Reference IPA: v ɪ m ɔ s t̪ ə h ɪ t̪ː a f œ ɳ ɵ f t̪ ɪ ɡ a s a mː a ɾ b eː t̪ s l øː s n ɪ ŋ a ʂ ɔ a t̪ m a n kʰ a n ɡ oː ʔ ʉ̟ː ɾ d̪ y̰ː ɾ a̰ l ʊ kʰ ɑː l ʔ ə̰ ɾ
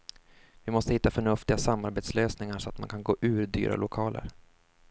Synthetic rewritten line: v ɪ m ɔ s t̪ ə h ɪ t̪ː a f œ ɳ ɵ f t̪ ɪ ɡ a s a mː a ɾ b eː t̪ s l øː s n ɪ ŋ a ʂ ɔ a t̪ m a n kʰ a n ɡ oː ʔ ʉ̟ː ɾ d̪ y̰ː ɾ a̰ l ʊ kʰ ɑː l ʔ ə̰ ɾ